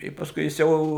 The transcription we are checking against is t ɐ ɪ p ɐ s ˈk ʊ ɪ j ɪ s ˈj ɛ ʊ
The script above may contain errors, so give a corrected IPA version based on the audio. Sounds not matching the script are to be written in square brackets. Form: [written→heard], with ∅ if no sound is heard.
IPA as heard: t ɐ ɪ p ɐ s ˈk ʊ ɪ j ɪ s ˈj ɛ ʊ